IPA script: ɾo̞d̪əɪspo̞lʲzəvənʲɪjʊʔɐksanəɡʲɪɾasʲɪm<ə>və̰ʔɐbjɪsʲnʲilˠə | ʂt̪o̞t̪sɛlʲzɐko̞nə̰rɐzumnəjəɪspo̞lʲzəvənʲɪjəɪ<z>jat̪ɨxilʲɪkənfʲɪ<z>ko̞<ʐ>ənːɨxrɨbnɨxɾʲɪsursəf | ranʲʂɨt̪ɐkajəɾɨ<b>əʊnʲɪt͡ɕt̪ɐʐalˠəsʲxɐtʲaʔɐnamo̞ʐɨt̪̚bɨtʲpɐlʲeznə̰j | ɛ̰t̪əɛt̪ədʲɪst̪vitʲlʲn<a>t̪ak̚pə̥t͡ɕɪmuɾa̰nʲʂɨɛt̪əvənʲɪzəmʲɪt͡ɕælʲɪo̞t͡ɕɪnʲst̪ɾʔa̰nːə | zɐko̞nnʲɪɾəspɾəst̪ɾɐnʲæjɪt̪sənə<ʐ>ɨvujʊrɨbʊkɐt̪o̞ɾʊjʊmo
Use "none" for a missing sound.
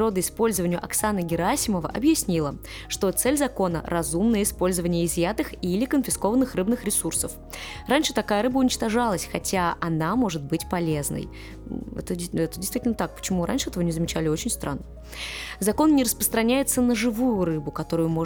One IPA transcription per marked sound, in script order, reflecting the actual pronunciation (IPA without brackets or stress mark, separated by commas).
ə, z, s, v, b, ə, ʐ